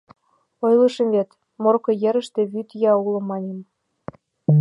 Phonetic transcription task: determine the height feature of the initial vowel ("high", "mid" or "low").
mid